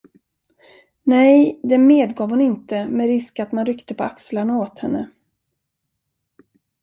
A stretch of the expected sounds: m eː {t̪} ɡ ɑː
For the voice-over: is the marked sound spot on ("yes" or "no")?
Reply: no